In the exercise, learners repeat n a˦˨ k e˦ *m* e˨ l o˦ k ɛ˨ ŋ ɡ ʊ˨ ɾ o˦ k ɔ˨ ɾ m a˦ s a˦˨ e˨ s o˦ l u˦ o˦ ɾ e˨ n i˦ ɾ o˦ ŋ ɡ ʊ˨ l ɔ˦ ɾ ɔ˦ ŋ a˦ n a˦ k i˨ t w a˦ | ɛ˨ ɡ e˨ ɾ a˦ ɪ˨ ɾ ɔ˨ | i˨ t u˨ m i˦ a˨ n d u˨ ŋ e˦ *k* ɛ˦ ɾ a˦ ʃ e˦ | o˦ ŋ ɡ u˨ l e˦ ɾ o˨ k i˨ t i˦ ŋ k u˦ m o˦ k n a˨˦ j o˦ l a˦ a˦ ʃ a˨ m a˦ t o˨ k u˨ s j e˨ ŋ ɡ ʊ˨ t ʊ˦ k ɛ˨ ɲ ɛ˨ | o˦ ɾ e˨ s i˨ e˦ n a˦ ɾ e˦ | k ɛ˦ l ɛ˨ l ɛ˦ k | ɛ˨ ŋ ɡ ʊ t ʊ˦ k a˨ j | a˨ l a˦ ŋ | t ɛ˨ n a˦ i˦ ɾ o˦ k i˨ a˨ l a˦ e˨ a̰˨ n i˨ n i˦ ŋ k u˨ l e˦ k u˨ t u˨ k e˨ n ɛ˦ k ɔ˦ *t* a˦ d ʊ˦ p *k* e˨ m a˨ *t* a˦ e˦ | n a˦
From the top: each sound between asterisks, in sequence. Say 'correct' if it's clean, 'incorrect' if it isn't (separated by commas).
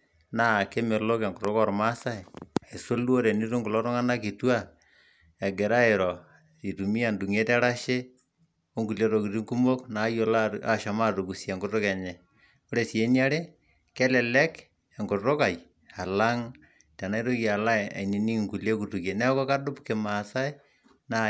correct, incorrect, incorrect, correct, incorrect